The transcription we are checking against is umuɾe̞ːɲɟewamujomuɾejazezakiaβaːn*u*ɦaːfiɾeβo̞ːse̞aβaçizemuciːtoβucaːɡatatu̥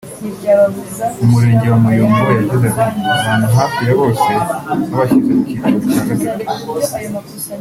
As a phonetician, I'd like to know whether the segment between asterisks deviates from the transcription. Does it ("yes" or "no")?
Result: no